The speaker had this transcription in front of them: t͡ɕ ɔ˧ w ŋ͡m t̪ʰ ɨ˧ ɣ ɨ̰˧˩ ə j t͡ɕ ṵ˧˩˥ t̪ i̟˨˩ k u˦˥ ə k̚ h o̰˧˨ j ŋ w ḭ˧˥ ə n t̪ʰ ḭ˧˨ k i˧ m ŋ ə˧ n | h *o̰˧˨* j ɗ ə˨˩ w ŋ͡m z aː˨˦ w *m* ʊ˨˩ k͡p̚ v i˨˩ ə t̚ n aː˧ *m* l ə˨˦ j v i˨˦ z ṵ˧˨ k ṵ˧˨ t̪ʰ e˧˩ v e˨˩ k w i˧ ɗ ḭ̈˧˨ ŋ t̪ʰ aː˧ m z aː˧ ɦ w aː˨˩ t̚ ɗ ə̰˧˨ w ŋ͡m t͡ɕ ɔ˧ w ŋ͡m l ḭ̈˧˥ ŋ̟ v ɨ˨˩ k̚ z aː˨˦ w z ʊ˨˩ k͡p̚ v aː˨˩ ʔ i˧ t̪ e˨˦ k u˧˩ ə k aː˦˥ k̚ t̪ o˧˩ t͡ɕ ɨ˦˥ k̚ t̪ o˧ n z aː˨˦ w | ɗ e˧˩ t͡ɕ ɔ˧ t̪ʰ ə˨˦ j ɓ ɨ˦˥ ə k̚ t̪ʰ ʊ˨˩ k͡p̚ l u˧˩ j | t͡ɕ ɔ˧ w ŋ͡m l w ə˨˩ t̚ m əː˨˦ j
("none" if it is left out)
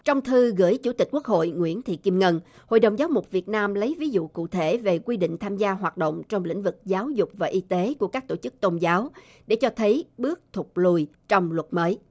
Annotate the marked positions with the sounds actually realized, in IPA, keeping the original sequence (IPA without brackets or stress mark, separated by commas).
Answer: o̰˧˨, m, m